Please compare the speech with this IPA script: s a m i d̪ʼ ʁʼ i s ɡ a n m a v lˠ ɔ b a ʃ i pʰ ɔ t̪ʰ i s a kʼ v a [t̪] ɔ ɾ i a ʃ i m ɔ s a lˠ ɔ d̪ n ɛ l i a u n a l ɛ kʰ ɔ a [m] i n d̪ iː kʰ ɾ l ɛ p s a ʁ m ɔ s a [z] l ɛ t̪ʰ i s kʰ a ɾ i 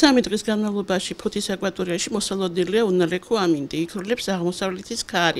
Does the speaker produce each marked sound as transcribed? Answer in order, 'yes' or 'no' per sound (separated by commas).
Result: no, yes, no